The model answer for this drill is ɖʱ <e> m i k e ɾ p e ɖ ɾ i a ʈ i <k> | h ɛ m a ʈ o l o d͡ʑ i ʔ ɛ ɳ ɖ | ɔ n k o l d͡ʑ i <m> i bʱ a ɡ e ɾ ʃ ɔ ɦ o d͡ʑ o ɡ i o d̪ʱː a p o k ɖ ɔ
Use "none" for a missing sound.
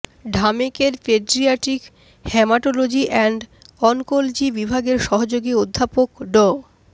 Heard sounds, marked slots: a, k, b

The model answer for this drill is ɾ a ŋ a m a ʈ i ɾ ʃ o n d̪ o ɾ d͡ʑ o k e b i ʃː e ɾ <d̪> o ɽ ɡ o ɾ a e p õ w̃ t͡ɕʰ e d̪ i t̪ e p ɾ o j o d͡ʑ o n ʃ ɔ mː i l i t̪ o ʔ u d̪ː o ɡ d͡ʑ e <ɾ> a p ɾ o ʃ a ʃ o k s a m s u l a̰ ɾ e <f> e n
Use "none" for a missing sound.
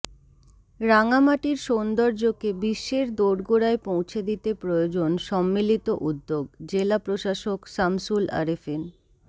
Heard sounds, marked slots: d̪, l, f

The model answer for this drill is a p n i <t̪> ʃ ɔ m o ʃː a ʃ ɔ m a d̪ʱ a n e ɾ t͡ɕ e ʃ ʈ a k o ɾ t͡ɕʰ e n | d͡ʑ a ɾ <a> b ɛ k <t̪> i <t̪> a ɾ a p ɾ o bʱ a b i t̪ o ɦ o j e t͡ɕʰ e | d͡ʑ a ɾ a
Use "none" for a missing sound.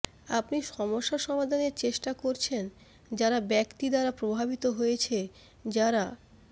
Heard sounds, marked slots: none, a, t̪, d̪

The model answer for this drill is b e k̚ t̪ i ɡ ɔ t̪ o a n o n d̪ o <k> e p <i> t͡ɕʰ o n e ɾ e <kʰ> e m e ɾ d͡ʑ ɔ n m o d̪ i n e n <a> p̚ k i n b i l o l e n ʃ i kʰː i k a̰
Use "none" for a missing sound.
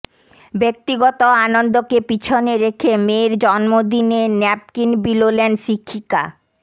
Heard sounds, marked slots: k, i, kʰ, ɛ

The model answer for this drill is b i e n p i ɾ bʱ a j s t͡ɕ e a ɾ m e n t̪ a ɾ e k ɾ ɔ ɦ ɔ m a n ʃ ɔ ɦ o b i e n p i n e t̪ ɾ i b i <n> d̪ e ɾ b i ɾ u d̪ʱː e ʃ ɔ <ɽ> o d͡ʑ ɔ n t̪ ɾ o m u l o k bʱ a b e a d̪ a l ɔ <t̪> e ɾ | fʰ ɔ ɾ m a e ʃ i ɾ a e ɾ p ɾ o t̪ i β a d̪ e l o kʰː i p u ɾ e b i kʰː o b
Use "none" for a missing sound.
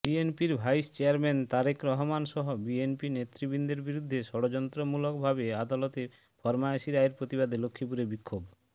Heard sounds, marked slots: n, ɽ, t̪

